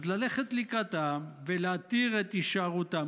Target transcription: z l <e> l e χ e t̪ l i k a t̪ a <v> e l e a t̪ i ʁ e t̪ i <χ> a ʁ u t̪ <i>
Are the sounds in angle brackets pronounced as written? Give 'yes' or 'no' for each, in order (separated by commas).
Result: no, yes, no, no